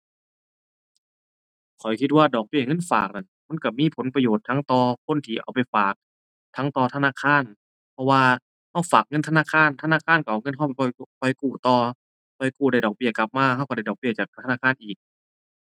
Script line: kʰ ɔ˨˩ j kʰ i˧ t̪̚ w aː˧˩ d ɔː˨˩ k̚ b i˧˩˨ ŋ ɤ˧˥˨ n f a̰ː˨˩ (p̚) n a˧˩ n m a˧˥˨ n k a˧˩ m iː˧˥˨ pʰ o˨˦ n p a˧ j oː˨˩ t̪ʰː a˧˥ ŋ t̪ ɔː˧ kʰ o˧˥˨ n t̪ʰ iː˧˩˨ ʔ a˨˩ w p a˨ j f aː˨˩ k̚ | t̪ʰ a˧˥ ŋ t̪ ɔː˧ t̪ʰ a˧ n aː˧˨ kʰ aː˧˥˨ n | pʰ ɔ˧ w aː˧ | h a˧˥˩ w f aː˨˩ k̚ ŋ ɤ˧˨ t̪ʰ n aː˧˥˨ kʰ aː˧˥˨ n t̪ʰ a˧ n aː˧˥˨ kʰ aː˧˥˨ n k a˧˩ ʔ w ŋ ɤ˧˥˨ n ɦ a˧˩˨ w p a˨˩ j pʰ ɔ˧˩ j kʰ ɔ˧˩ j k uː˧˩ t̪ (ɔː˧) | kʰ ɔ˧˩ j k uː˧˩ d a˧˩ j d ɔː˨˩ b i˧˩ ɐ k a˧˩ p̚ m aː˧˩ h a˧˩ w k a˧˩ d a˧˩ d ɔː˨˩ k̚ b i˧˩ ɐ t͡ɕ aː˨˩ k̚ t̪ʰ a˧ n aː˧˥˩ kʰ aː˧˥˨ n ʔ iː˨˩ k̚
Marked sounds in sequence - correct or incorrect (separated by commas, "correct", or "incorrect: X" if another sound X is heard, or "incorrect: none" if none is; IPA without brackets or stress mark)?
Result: incorrect: k̚, correct